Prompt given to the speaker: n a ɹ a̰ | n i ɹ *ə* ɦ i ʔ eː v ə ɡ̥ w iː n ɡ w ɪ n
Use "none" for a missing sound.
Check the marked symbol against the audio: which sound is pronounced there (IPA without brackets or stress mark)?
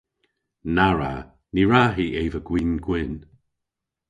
a